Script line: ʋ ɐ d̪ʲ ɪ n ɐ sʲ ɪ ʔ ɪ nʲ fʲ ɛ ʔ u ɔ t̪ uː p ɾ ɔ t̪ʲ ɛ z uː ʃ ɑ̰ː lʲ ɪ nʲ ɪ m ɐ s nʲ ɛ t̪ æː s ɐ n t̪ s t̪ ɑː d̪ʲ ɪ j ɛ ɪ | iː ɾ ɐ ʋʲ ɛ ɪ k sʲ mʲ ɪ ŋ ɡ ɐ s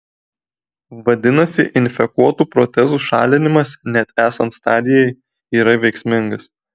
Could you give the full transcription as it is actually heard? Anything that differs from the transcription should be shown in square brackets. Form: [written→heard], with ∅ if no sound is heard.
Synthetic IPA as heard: ʋ ɐ d̪ʲ ɪ n ɐ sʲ ɪ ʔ ɪ nʲ fʲ ɛ [ʔ→k] u ɔ t̪ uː p ɾ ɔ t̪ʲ ɛ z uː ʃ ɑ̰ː lʲ ɪ nʲ ɪ m ɐ s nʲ ɛ t̪ æː s ɐ n t̪ s t̪ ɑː d̪ʲ ɪ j ɛ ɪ | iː ɾ ɐ ʋʲ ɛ ɪ k sʲ mʲ ɪ ŋ ɡ ɐ s